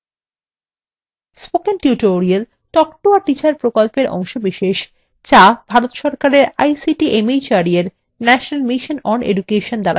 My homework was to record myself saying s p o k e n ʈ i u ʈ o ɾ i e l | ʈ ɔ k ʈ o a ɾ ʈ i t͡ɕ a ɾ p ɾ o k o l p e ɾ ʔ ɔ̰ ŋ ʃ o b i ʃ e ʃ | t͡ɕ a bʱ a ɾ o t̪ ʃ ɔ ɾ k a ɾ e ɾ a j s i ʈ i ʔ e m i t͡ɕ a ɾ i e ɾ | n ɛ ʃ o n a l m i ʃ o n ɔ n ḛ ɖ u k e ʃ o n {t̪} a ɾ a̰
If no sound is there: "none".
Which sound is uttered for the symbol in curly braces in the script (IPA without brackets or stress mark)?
d̪